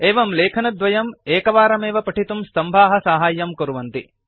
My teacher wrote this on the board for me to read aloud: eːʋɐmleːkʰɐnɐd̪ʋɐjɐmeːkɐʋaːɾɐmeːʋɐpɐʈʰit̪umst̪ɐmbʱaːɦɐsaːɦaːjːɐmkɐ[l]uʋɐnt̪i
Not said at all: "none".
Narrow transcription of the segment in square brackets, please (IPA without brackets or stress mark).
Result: ɾ